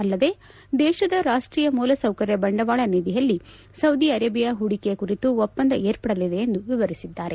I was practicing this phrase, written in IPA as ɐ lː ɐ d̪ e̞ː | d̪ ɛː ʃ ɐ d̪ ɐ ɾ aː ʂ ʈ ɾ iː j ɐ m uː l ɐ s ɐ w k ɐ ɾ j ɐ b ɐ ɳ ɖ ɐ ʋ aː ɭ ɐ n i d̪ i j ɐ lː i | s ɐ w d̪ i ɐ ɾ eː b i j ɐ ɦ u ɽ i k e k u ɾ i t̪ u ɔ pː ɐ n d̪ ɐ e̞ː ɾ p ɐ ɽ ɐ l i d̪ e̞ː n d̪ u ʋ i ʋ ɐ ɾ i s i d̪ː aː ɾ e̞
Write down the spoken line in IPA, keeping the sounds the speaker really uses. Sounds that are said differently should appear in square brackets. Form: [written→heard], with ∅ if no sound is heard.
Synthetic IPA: ɐ lː ɐ d̪ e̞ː | d̪ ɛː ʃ ɐ d̪ ɐ ɾ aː ʂ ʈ ɾ iː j ɐ m uː l ɐ s ɐ w k ɐ ɾ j ɐ b ɐ ɳ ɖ ɐ ʋ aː ɭ ɐ n i d̪ i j ɐ lː i | s ɐ w d̪ i ɐ ɾ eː b i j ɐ ɦ u ɽ i k e k u ɾ i t̪ u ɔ pː ɐ n d̪ ɐ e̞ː ɾ p ɐ ɽ ɐ l i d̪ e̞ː n d̪ u ʋ i ʋ ɐ ɾ i s i d̪ː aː ɾ e̞